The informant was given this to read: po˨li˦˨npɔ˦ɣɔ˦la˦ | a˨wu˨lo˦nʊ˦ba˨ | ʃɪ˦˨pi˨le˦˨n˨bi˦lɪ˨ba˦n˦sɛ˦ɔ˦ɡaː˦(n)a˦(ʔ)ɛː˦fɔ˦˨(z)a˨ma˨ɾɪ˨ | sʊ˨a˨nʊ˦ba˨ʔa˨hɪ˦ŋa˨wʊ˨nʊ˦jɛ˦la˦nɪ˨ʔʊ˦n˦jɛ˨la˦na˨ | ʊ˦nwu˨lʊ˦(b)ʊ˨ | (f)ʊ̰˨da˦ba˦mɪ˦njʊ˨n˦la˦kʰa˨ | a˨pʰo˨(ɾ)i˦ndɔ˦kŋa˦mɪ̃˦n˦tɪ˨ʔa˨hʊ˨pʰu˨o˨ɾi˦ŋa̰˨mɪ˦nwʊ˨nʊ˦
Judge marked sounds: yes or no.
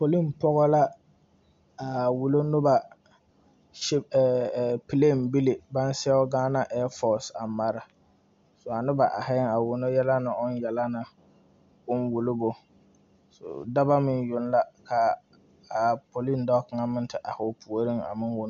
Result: yes, yes, no, yes, no, no

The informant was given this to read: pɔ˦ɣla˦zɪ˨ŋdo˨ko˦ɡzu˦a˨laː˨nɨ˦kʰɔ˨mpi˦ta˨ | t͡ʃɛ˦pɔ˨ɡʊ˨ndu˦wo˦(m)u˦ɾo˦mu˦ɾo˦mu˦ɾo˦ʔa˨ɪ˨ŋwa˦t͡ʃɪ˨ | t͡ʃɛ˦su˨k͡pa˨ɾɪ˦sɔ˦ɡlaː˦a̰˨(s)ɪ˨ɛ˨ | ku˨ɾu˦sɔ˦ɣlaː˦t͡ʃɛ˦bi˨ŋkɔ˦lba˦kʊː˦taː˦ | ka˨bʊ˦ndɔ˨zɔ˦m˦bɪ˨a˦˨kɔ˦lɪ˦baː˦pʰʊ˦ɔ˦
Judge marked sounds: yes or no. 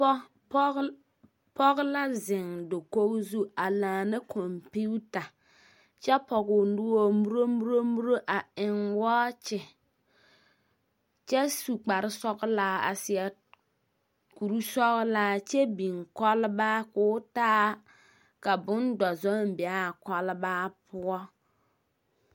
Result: yes, yes

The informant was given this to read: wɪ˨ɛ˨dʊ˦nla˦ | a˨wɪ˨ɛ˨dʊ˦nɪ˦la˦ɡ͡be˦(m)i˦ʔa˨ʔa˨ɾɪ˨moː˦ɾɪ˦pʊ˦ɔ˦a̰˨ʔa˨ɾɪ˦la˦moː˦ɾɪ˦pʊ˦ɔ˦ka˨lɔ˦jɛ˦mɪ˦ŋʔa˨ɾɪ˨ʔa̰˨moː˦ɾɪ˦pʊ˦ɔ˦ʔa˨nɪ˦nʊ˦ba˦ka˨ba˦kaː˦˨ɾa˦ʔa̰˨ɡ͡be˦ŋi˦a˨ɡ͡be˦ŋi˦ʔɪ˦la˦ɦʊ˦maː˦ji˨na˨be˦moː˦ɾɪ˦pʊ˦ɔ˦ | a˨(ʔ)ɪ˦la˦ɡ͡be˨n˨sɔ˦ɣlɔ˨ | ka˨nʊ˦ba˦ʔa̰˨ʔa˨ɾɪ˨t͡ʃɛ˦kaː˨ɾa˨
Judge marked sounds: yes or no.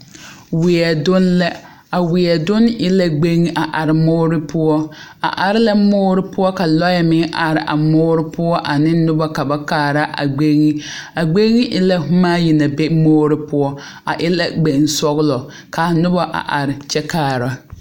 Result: no, yes

